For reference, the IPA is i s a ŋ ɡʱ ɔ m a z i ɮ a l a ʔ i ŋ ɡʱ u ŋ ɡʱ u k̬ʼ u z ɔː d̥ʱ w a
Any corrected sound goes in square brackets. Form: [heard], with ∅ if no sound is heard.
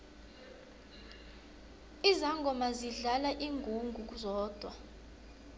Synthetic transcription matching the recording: i [z] a ŋ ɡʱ ɔ m a z i ɮ a l a ʔ i ŋ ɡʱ u ŋ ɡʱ u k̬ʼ u z ɔː d̥ʱ w a

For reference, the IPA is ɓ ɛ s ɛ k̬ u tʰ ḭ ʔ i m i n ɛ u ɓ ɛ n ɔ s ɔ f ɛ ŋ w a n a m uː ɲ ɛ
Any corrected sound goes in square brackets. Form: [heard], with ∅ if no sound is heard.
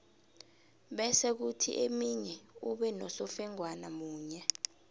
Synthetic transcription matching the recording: ɓ ɛ s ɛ k̬ u tʰ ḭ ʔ [e] m i [ɲ] ɛ u ɓ ɛ n ɔ s ɔ f ɛ ŋ w a n a m uː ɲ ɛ

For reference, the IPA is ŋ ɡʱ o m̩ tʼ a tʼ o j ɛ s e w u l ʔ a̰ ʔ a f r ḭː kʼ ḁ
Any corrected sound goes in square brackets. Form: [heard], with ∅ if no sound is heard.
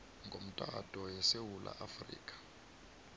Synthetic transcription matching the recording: ŋ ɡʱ o m̩ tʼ a tʼ [ɔ] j ɛ s e w u l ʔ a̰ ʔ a f r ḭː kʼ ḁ

